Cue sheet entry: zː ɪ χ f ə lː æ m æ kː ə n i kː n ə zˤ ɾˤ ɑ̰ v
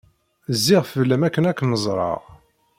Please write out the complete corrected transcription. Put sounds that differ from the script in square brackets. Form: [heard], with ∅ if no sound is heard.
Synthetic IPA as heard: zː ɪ [ʁ] f ə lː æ m æ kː ə n [æ] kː n ə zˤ ɾˤ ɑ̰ [ʁ]